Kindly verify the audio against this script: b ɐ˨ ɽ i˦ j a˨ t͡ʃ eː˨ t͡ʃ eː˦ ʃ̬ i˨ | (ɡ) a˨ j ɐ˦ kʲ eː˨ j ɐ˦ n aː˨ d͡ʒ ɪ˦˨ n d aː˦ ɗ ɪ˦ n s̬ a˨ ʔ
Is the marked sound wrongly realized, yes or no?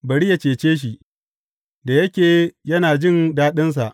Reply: yes